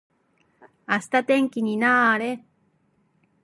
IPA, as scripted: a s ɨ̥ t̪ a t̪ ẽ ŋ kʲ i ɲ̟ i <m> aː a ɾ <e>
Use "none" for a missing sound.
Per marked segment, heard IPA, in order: n, e

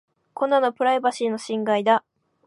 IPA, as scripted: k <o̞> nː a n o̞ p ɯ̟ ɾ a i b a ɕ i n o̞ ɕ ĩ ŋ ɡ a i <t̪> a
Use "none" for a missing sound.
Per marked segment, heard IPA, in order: o̞, d̪

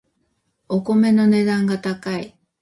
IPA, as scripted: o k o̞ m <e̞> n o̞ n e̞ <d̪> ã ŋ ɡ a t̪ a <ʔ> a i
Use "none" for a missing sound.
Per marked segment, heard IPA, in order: e̞, d̪, k

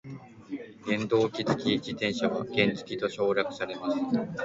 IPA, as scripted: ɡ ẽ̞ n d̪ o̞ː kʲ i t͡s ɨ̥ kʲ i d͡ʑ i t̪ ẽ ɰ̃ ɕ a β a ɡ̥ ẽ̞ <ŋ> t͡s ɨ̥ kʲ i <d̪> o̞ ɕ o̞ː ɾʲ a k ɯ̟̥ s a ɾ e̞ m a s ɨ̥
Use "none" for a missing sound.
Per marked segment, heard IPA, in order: n, t̪

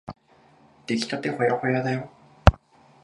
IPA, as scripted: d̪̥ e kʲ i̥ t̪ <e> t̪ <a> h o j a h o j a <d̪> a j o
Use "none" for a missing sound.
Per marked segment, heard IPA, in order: a, e, d̪

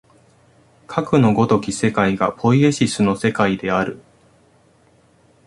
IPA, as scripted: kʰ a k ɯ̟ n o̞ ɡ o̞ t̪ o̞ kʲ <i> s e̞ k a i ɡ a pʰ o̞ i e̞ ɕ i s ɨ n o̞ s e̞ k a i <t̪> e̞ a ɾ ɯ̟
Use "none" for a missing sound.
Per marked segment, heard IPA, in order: i, d̪

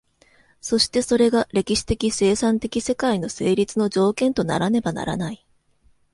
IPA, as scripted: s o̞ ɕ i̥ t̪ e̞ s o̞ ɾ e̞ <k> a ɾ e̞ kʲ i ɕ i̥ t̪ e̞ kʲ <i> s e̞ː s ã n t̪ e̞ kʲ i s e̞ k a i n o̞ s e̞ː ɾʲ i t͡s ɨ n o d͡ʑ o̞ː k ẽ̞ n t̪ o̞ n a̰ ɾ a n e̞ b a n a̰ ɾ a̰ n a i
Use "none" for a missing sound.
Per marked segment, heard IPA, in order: ɡ, i

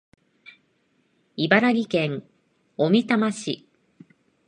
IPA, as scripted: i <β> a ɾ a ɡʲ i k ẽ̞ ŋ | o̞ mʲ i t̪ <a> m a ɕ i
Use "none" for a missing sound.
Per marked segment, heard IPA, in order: b, a

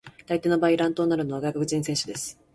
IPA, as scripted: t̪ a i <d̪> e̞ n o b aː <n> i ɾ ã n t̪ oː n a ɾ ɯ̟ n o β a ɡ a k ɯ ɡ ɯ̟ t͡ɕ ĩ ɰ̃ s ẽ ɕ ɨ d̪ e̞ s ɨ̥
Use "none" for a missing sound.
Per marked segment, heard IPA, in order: t̪, none

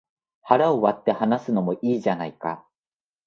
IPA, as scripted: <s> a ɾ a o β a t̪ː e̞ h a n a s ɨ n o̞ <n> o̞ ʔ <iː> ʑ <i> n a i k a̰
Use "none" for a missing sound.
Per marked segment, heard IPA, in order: h, m, iː, a

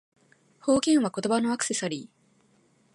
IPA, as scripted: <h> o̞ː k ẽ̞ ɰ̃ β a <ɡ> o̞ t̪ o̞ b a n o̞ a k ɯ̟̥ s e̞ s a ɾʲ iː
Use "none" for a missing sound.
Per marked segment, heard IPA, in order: h, k

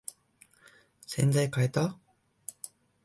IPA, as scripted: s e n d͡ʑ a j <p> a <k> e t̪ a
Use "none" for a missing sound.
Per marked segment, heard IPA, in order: k, none

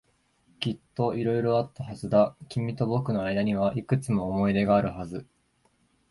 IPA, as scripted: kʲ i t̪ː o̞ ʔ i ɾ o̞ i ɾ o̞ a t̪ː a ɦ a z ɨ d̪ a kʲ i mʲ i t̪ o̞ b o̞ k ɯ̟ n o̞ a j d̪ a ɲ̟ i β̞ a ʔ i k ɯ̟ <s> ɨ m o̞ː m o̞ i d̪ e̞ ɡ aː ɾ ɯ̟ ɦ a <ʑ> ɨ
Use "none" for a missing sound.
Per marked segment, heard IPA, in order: t͡s, z

